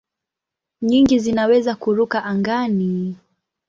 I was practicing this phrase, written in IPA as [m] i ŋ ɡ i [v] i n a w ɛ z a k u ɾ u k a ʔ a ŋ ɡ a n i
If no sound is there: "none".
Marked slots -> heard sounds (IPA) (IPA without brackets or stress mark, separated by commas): ɲ, z